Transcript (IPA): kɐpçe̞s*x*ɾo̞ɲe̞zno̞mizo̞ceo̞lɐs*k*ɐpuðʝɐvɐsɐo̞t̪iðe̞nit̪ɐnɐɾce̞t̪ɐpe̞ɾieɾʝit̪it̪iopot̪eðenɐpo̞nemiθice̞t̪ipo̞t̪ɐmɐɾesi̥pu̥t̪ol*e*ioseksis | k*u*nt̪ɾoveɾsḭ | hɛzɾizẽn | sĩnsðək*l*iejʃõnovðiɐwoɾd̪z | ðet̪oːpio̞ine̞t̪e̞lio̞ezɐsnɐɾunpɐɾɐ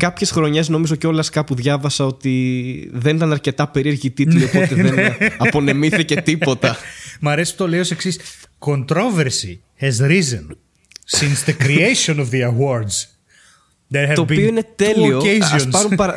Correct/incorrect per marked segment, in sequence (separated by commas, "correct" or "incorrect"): correct, correct, correct, incorrect, incorrect